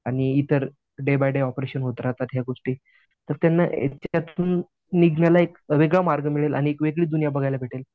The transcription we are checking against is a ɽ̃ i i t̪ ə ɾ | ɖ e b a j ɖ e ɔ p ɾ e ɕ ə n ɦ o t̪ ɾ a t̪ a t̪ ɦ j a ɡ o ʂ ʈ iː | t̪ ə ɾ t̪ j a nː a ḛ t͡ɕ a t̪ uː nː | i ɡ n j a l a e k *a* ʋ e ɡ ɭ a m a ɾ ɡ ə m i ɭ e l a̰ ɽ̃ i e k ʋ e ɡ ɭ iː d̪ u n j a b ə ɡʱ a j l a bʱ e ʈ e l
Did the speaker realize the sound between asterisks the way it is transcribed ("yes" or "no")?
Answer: no